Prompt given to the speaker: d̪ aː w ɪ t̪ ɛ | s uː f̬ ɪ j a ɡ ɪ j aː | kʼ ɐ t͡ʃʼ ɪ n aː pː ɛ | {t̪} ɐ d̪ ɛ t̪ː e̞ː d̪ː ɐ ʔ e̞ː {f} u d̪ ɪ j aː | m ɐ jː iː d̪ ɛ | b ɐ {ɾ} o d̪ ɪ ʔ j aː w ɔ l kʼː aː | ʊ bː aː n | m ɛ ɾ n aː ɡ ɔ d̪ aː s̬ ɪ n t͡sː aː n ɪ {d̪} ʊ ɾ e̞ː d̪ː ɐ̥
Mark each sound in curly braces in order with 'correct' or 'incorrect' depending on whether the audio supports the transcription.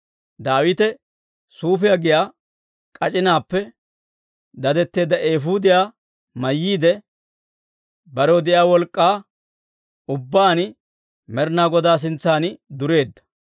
incorrect: d̪, correct, correct, correct

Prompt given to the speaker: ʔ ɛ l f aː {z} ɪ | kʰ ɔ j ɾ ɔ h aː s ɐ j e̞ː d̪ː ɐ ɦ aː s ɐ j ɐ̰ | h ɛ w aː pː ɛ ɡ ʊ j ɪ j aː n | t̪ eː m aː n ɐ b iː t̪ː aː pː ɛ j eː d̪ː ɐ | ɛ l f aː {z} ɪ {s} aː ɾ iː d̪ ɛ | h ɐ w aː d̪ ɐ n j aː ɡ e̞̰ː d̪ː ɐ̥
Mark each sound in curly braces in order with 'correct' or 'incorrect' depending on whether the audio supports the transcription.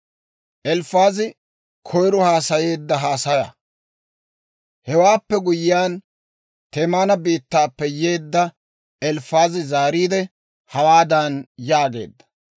correct, correct, incorrect: z

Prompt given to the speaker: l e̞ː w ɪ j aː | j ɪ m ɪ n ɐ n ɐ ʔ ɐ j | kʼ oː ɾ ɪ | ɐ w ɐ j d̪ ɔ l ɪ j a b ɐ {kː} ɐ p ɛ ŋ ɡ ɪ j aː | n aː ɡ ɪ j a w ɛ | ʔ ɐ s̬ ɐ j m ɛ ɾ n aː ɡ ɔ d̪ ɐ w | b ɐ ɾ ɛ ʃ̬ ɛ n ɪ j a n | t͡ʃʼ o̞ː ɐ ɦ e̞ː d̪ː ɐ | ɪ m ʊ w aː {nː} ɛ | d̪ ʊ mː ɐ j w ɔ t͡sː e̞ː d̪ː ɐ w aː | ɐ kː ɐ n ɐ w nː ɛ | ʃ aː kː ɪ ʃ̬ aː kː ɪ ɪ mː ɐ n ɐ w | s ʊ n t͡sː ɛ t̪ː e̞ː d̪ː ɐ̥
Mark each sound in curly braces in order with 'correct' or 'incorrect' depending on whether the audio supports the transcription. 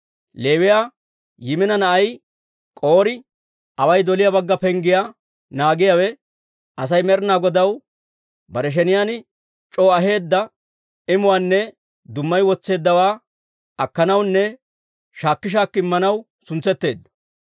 incorrect: ɡː, correct

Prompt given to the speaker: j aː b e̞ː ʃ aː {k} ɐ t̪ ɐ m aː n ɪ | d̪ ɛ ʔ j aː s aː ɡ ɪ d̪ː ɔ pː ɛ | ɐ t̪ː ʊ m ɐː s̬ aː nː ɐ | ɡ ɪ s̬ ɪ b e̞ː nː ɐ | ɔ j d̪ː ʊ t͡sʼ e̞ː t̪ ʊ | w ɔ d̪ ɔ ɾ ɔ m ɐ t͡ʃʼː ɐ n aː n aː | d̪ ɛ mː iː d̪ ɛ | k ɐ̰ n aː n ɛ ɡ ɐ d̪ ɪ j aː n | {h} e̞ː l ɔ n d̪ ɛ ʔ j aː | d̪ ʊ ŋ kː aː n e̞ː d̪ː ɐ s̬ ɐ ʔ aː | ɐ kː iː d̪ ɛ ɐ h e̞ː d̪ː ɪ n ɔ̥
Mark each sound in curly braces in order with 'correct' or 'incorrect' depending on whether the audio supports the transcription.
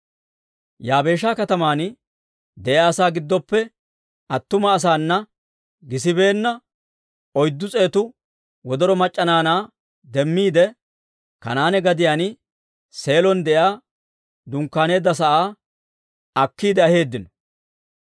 correct, incorrect: s

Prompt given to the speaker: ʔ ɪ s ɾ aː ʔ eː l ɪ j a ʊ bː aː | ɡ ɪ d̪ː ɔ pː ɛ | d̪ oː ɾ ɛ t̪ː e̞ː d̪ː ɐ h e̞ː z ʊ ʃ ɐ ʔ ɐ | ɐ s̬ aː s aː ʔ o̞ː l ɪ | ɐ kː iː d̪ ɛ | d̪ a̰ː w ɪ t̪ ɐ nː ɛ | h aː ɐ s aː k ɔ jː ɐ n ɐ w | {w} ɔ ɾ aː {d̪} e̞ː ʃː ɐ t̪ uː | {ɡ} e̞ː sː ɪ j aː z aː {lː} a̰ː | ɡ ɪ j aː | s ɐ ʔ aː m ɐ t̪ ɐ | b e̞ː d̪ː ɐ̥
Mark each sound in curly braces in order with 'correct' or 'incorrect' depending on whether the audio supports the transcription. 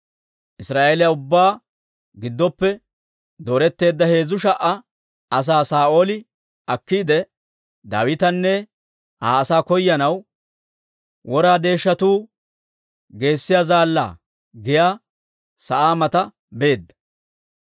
correct, correct, correct, correct

